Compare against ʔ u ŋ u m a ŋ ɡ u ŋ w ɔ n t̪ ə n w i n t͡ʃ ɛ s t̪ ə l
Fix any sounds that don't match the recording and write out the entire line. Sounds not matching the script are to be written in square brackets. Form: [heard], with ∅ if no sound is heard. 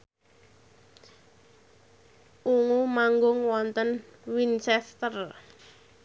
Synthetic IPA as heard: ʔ u ŋ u m a ŋ ɡ [ʊ] ŋ w ɔ n t̪ ə n w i n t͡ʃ ɛ s t̪ ə [r]